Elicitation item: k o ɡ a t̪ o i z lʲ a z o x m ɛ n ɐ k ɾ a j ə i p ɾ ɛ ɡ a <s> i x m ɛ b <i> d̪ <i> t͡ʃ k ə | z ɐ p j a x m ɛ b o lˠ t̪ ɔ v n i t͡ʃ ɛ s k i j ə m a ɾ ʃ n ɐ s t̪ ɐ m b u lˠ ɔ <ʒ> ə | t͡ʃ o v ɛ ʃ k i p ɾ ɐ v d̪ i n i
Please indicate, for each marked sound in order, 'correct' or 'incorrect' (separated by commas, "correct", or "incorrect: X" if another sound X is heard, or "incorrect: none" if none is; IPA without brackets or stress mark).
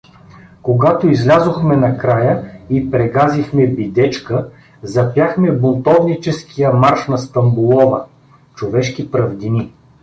incorrect: z, correct, incorrect: ɛ, incorrect: v